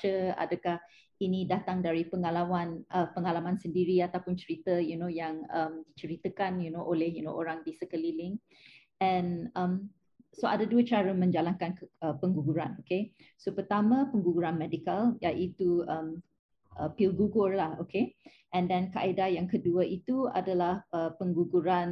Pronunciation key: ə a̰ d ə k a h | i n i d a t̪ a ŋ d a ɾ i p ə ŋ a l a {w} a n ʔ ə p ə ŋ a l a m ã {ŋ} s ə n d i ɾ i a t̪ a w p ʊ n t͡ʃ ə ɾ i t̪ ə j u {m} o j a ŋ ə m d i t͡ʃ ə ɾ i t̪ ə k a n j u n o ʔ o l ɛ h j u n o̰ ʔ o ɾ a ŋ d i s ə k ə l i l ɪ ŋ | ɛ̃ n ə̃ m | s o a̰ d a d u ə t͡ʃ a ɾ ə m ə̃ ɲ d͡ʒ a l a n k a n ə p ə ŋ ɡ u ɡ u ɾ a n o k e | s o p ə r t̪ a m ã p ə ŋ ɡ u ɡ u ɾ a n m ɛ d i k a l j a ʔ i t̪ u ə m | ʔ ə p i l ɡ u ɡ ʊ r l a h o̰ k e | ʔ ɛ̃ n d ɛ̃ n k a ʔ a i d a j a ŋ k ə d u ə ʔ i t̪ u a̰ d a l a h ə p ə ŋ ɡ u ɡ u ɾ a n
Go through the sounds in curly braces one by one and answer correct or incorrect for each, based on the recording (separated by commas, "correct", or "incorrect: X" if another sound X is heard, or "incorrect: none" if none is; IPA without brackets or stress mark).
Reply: correct, incorrect: n, incorrect: n